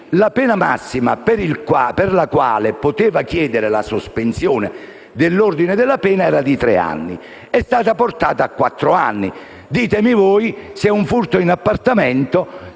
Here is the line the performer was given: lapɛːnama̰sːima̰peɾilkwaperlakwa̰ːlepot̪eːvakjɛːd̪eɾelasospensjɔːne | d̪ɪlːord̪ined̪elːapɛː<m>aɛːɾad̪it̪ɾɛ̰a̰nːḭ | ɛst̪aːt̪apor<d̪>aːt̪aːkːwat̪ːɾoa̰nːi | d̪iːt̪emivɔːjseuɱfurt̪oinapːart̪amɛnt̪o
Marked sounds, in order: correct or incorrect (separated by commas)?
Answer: incorrect, incorrect